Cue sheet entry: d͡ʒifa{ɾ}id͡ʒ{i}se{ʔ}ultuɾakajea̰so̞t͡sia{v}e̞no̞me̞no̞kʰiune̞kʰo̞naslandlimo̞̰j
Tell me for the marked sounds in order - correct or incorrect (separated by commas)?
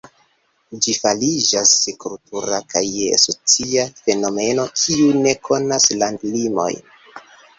incorrect, incorrect, incorrect, incorrect